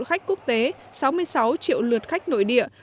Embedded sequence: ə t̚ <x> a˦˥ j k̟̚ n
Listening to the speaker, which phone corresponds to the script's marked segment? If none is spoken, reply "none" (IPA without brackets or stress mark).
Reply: x